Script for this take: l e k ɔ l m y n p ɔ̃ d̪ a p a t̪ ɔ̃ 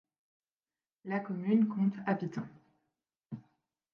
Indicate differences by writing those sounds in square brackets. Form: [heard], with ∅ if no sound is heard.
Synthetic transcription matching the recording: l [a] k ɔ [∅] m y n [k] ɔ̃ [t̪] a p [i] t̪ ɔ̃

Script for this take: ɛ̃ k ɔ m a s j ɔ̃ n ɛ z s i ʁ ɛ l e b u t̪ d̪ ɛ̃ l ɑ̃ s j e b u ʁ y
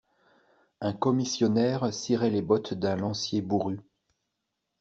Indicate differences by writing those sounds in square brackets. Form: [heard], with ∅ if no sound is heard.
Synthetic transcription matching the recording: ɛ̃ k ɔ m [i] s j [ɔ] n ɛ [ʁ] s i ʁ ɛ l e b [ɔ] t̪ d̪ ɛ̃ l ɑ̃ s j e b u ʁ y

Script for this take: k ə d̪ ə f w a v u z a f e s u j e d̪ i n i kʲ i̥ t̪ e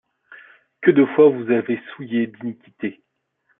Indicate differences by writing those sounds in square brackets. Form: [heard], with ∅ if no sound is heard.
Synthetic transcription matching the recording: k ə d̪ ə f w a v u z a [v] e s u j e d̪ i n i kʲ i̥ t̪ e

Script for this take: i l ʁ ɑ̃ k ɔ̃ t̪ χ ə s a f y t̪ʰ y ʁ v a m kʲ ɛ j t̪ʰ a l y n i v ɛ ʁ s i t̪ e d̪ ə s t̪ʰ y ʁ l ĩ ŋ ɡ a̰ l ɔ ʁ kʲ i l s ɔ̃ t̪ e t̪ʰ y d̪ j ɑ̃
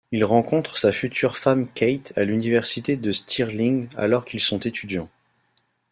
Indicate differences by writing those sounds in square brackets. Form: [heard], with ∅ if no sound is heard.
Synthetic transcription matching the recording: i l ʁ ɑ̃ k ɔ̃ t̪ χ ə s a f y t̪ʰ y ʁ [f] a m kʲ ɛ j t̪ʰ a l y n i v ɛ ʁ s i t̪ e d̪ ə s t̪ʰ [i] ʁ l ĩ ŋ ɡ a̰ l ɔ ʁ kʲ i l s ɔ̃ t̪ e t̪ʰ y d̪ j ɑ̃

